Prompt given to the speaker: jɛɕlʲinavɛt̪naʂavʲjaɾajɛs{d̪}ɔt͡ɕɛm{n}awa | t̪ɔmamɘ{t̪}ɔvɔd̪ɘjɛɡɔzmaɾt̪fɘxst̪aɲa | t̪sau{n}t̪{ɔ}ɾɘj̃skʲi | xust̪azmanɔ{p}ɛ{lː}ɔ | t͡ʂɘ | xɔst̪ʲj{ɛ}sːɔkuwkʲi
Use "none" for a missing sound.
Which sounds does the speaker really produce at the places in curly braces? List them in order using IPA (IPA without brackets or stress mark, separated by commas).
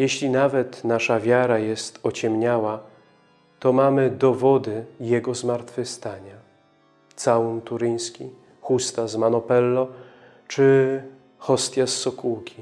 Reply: t̪, ɲ, d̪, n, u, p, lː, a